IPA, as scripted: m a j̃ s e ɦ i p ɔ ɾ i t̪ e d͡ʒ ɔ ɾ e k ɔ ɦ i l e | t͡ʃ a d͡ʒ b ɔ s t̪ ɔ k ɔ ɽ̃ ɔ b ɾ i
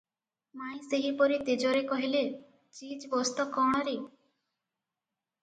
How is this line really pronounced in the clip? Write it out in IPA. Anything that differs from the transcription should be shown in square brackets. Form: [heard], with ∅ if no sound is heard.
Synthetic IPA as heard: m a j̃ s e ɦ i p ɔ ɾ i t̪ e d͡ʒ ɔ ɾ e k ɔ ɦ i l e | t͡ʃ [i] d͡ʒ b ɔ s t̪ ɔ k ɔ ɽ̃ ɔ [∅] ɾ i